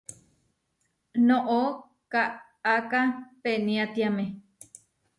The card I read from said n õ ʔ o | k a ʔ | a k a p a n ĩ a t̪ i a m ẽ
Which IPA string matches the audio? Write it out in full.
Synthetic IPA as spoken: n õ ʔ o | k a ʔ | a k a p e n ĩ a t̪ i a m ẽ